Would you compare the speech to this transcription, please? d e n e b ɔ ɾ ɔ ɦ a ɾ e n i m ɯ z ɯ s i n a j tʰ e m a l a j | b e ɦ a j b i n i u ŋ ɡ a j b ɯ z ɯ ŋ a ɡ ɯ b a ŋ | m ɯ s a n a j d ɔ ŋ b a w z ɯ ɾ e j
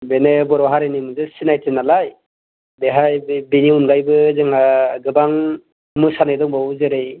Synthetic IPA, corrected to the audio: b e n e b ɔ ɾ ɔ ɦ a ɾ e n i m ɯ z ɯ s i n a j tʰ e n a l a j | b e ɦ a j b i n i u n ɡ a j b ɯ z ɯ ŋ a ɡ ɯ b a ŋ | m ɯ s a n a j d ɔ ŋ b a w z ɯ ɾ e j